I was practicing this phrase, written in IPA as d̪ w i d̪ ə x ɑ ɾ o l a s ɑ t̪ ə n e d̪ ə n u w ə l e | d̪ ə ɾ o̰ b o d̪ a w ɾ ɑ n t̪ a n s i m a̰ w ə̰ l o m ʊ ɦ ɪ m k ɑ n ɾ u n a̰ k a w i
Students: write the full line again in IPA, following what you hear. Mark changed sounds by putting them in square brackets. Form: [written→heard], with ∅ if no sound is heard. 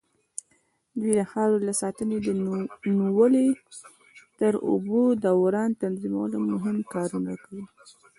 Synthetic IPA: d̪ w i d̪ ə x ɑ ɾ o l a s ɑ t̪ ə n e d̪ ə n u w ə l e | [d̪→t̪] ə ɾ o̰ b o d̪ a w ɾ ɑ n t̪ a n [s→z] i m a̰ w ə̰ l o m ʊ ɦ ɪ m k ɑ [n→∅] ɾ u n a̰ k a w i